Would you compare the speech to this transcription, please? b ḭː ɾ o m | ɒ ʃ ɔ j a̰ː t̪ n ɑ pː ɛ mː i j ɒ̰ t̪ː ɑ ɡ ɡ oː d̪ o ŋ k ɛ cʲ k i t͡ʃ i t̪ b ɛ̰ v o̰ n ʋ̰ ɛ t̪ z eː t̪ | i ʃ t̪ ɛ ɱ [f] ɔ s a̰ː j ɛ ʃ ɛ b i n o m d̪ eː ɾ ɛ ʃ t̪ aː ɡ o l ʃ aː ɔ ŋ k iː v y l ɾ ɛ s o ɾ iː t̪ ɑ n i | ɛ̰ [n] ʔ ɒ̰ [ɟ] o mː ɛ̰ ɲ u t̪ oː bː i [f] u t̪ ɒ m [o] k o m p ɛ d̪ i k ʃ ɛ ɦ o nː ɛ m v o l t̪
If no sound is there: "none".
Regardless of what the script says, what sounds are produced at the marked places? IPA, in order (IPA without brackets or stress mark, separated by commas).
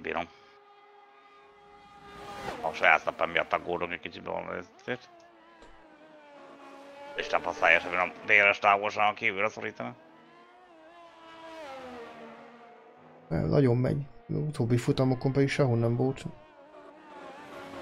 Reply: f, n, ɟ, f, o